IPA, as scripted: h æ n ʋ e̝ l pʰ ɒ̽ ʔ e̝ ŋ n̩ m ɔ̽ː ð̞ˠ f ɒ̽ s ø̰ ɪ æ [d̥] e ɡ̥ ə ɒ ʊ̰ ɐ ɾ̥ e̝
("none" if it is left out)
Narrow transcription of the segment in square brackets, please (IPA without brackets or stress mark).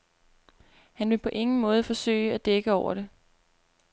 d̥